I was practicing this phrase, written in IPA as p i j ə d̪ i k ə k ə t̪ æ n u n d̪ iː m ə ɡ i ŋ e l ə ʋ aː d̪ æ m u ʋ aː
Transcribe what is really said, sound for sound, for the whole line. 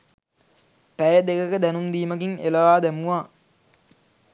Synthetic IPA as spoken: p æ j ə d̪ e k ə k ə d̪ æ n u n d̪ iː m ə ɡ i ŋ e l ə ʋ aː d̪ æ m u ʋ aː